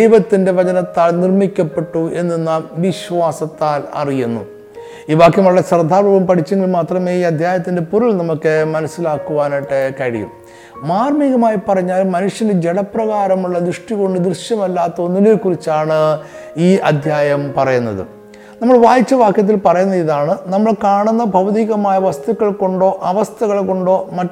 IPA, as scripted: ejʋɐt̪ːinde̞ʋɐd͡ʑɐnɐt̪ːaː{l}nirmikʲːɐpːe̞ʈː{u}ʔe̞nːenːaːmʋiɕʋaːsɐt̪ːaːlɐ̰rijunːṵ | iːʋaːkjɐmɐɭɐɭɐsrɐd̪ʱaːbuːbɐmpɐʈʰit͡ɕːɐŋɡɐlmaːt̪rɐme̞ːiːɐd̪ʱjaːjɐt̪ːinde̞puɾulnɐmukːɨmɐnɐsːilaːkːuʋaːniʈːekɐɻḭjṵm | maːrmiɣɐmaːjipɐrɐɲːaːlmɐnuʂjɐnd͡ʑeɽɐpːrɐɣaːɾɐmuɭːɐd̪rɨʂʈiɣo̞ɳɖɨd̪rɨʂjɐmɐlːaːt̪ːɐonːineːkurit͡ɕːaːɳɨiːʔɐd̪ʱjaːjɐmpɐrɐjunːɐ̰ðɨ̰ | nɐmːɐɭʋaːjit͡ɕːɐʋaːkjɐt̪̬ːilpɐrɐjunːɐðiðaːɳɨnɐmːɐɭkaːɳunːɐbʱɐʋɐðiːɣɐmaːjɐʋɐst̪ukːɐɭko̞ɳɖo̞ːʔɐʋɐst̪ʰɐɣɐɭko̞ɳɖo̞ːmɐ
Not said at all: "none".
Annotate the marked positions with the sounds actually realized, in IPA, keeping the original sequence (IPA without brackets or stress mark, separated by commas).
l, u